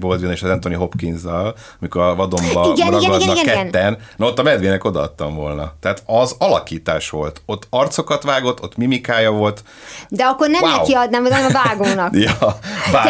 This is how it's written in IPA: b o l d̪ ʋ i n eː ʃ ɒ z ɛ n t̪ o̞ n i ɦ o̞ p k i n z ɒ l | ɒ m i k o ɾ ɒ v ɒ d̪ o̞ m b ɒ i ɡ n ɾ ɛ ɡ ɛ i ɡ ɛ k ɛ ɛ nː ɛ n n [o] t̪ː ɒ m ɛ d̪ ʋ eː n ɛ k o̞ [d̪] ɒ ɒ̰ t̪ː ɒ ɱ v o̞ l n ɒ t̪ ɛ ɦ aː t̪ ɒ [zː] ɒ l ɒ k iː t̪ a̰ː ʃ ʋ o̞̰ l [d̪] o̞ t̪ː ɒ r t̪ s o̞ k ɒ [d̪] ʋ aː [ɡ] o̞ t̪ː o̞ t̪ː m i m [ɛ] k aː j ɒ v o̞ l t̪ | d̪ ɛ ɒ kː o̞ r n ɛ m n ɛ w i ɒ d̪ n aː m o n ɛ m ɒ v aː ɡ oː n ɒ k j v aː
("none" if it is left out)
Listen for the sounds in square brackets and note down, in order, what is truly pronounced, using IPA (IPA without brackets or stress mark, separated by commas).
o, d̪, z, t̪, t̪, ɡ, i